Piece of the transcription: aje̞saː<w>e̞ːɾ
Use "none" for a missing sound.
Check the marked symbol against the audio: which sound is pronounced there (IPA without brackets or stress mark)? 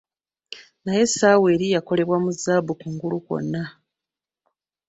w